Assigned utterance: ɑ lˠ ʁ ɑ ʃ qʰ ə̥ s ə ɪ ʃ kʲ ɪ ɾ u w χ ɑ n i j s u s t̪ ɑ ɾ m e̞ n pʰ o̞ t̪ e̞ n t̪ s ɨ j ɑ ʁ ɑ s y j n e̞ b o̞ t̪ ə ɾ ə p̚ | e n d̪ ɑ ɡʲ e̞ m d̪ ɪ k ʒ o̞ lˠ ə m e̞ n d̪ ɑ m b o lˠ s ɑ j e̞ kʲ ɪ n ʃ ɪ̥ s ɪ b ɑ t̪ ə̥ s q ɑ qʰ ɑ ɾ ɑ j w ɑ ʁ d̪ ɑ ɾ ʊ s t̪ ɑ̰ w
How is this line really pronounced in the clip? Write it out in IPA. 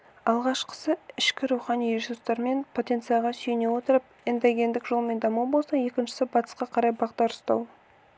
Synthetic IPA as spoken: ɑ lˠ ʁ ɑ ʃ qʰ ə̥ s ə ɪ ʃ kʲ ɪ ɾ u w χ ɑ n i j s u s t̪ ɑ ɾ m e̞ n pʰ o̞ t̪ e̞ n t̪ s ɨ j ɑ ʁ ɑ s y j n e̞ w o̞ t̪ ə ɾ ə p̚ | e n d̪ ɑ ɡʲ e̞ n d̪ ɪ k ʒ o̞ lˠ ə m e̞ n d̪ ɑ m b o lˠ s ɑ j e̞ kʲ ɪ n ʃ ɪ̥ s ɪ b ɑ t̪ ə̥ s q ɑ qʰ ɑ ɾ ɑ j b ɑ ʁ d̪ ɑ ɾ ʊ s t̪ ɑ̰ w